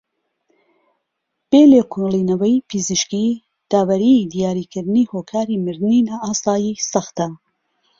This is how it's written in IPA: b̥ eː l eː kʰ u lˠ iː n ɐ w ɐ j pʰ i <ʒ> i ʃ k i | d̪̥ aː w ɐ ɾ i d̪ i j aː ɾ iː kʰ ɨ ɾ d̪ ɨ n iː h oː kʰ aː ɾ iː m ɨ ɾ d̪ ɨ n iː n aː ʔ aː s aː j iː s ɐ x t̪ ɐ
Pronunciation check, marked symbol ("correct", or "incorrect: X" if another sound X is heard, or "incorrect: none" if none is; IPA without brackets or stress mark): incorrect: z